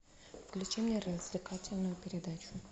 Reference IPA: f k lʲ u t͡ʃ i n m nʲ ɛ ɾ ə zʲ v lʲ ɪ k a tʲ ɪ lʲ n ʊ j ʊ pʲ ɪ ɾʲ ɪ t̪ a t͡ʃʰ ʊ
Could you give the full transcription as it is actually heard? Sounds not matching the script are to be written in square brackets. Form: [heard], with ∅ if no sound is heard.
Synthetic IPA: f k lʲ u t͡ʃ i [∅] m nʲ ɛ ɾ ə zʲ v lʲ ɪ k a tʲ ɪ lʲ n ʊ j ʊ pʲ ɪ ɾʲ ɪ [d̪] a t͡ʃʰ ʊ